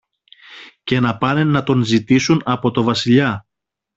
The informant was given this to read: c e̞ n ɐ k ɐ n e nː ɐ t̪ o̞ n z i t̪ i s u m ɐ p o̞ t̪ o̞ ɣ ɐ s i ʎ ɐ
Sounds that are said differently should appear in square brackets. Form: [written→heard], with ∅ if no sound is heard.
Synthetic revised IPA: c e̞ n ɐ [k→p] ɐ n e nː ɐ t̪ o̞ n z i t̪ i s u [m→n] ɐ p o̞ t̪ o̞ [ɣ→v] ɐ s i ʎ ɐ